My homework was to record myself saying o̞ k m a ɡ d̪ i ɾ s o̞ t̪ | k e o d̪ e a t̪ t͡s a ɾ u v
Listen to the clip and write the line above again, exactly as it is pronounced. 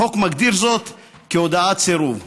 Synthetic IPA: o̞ k m a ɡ d̪ i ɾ z o̞ t̪ | k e o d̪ a a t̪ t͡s e ɾ u v